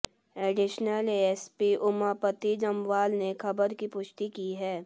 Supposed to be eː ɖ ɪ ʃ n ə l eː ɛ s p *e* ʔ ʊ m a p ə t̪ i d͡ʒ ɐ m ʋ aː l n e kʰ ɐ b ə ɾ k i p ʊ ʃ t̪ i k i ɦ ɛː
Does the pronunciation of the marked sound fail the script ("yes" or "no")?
yes